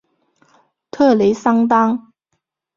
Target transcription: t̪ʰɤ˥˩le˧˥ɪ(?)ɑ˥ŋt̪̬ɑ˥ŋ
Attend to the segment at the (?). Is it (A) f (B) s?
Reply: B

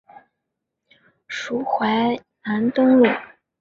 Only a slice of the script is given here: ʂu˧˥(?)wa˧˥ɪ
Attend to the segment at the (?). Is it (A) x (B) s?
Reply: A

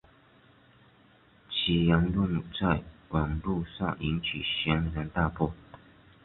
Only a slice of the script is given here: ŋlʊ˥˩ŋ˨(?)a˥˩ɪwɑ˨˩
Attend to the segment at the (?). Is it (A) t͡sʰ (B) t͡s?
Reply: B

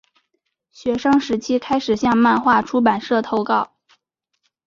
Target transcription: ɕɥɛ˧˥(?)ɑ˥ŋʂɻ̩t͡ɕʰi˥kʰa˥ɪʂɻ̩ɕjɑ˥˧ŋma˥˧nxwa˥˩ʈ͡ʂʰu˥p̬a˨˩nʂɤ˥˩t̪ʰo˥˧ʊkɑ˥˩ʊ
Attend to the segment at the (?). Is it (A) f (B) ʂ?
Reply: B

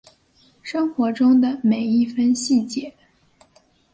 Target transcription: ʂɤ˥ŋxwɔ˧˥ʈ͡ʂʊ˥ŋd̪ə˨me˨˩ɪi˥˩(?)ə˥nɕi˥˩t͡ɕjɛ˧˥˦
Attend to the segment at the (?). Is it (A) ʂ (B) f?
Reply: B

